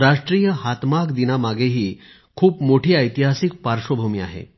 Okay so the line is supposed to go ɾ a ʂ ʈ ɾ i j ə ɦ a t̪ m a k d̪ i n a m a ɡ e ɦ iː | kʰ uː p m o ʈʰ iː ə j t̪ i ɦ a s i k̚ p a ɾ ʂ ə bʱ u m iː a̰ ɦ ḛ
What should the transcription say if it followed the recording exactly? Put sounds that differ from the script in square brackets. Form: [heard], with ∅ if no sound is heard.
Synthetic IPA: ɾ a ʂ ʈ ɾ i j ə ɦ a t̪ m a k d̪ i n a m a ɡ e ɦ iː | kʰ uː p m o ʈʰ iː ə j t̪ i ɦ a s i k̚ p a ɾ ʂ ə bʱ u m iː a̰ ɦ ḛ